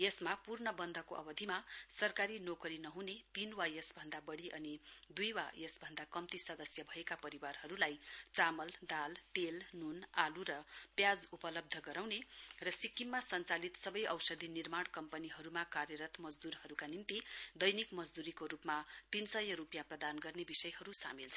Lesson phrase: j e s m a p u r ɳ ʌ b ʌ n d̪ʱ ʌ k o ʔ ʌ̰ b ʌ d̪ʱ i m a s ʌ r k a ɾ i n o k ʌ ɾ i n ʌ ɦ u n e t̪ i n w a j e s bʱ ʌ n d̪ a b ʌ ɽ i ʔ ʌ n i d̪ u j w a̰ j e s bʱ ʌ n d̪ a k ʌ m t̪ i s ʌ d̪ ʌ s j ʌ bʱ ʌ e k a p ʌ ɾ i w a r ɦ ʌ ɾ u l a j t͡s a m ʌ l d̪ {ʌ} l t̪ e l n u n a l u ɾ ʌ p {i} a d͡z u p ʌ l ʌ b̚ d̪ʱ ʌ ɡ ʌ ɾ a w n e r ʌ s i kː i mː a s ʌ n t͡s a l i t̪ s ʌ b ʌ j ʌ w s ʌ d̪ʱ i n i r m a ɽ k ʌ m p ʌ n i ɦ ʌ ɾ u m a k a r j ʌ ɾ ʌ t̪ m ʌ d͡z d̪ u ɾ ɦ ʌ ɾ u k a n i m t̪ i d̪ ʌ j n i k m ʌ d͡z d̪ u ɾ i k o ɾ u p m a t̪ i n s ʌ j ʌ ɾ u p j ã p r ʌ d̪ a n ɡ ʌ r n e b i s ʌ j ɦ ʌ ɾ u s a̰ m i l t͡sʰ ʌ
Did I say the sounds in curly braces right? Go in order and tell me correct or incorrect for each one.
incorrect, incorrect

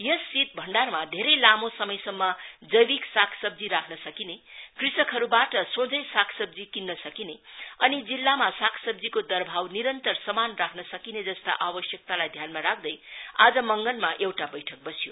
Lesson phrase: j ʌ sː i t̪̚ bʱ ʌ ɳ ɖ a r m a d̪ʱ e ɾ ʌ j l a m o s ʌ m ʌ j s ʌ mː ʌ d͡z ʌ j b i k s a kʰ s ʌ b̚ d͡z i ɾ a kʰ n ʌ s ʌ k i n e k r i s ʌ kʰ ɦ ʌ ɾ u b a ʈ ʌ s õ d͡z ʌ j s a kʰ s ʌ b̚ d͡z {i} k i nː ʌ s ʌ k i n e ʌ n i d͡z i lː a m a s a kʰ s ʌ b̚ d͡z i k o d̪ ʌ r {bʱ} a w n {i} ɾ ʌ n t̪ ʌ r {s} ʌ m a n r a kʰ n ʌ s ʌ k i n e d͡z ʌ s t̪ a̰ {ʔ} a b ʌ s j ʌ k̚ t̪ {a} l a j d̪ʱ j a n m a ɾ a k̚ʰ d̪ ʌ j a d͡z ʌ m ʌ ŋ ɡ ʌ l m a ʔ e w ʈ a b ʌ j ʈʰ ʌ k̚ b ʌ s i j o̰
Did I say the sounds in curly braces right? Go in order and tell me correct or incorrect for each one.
correct, correct, correct, correct, correct, correct

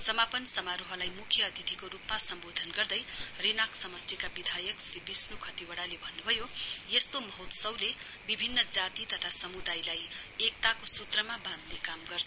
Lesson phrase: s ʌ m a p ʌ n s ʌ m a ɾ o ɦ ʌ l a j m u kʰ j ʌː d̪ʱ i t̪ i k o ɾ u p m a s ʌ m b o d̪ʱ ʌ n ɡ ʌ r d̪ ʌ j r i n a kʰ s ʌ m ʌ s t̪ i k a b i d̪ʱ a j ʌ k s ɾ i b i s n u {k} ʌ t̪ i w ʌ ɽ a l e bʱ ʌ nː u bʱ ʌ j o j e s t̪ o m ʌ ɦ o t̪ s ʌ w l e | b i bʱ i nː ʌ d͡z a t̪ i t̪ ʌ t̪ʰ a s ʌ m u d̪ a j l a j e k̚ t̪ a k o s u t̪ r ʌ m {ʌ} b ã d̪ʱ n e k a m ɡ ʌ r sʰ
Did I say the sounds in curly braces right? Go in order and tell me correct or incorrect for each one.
incorrect, incorrect

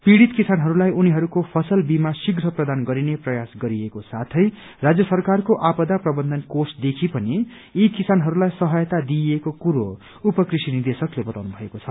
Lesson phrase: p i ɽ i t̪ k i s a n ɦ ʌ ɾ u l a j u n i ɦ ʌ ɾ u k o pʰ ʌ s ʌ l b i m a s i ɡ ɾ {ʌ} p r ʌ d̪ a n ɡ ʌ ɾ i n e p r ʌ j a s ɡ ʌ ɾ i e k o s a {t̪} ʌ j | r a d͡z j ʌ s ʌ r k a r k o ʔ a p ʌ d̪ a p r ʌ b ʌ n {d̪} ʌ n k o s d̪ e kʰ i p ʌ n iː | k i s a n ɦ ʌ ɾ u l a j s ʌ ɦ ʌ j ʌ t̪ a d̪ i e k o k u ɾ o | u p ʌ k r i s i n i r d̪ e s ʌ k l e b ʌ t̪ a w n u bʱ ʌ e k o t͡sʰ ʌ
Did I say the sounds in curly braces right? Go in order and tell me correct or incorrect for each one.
correct, incorrect, correct

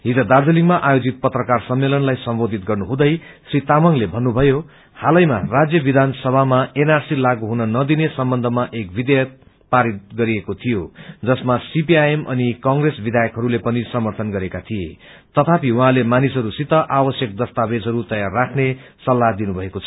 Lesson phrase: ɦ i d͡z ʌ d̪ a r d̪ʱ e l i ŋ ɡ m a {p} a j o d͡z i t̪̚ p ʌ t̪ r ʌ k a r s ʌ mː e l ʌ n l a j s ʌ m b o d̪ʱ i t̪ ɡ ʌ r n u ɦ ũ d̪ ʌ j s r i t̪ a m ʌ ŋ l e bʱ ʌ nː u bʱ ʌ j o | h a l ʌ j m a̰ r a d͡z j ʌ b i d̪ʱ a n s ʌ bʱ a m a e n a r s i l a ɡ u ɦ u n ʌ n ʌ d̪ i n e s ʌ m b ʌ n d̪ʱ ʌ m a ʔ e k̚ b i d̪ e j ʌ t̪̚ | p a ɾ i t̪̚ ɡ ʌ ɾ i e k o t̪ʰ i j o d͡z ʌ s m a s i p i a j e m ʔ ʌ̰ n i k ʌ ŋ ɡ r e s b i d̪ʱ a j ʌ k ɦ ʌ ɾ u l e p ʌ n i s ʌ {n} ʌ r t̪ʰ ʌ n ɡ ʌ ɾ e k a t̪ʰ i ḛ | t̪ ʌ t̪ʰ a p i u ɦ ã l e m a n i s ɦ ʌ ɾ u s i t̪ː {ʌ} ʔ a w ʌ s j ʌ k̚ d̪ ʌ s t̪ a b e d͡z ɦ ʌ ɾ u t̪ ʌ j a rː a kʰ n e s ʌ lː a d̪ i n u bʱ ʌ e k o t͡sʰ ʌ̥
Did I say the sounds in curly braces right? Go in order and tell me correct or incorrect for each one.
incorrect, incorrect, correct

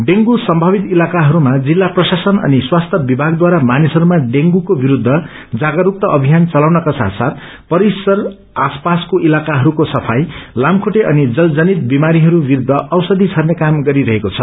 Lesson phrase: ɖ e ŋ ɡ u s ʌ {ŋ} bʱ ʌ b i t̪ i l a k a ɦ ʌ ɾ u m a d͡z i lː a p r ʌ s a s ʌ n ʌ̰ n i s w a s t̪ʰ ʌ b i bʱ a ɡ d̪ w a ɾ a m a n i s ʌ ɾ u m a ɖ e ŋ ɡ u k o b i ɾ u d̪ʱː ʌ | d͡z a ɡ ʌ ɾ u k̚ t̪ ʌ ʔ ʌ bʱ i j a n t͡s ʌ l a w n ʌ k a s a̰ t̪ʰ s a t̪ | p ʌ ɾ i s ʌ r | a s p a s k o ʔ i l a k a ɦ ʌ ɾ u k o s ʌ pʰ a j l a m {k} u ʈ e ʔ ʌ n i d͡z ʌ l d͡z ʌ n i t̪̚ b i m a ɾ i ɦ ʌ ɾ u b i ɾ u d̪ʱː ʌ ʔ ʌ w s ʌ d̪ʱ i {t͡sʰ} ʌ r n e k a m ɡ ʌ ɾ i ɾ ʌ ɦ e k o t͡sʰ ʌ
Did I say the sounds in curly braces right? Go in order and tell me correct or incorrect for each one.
incorrect, incorrect, correct

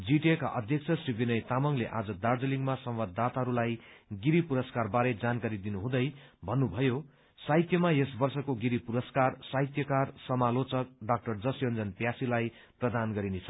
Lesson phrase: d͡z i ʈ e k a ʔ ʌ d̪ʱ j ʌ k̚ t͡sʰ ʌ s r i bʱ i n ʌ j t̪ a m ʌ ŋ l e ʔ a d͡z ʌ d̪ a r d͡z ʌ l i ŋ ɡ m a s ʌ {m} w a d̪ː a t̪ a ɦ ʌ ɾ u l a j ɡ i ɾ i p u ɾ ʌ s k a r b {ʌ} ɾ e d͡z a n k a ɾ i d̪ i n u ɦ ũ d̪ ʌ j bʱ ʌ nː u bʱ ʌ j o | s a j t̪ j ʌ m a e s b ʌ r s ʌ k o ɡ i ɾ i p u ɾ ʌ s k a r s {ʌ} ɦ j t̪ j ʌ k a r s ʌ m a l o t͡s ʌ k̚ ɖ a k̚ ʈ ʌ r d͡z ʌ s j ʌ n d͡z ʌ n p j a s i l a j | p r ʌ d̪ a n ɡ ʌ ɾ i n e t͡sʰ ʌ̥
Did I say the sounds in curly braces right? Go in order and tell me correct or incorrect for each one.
correct, incorrect, incorrect

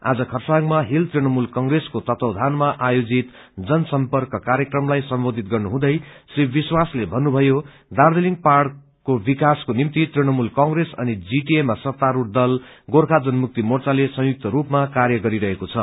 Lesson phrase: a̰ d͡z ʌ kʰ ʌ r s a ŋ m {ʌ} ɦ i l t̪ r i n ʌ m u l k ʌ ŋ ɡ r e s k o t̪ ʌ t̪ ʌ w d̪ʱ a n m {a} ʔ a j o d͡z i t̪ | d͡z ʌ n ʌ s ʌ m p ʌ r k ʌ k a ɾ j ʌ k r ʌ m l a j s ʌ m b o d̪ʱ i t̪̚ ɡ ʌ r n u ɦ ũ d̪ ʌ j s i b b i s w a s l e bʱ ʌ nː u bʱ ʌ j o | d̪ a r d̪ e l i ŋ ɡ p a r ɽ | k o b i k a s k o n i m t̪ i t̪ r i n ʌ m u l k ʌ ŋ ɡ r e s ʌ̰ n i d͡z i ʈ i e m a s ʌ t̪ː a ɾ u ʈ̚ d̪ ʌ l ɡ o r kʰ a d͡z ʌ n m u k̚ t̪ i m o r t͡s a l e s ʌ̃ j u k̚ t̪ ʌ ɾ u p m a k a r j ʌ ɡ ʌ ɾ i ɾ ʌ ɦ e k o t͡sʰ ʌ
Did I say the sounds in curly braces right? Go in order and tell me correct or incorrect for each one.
incorrect, correct

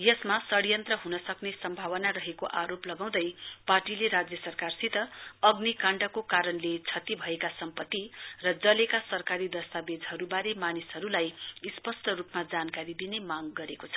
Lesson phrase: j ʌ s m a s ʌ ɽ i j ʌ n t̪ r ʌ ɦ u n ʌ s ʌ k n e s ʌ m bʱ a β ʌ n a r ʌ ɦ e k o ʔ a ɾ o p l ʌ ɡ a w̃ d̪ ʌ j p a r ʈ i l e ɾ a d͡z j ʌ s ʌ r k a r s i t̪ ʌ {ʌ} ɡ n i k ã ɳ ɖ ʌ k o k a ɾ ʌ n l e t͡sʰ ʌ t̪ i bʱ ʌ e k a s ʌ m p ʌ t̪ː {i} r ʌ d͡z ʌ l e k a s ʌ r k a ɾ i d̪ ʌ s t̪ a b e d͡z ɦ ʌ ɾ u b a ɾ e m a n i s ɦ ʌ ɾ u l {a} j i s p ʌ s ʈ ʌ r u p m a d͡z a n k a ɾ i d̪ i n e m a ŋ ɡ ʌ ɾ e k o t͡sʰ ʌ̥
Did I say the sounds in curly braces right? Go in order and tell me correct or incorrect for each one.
correct, correct, correct

